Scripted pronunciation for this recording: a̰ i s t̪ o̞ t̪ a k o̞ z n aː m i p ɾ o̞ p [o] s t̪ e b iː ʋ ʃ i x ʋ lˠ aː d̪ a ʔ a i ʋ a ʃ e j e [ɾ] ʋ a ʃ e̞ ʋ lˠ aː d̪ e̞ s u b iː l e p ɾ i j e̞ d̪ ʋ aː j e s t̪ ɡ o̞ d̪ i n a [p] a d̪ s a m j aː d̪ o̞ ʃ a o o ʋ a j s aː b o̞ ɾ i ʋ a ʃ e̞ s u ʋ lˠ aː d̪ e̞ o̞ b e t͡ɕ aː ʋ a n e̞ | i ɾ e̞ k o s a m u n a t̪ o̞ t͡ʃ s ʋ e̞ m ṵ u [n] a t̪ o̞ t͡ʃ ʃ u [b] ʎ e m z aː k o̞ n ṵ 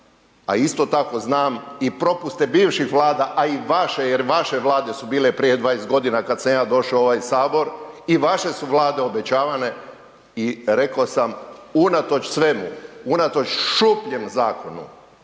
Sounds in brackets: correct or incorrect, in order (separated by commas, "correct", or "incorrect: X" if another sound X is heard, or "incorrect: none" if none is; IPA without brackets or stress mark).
incorrect: u, correct, incorrect: k, correct, incorrect: p